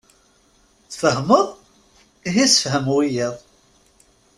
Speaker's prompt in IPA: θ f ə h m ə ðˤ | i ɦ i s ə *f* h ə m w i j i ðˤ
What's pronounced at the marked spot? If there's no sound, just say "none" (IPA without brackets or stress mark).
f